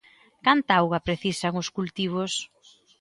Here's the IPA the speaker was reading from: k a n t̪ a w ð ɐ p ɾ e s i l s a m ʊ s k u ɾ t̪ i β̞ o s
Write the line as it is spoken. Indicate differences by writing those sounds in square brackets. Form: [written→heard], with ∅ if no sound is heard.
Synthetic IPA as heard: k a n t̪ a w [ð→ɣ] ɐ p ɾ e [s→θ] i [l→∅] s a [m→ŋ] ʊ s k u [ɾ→l] t̪ i β̞ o s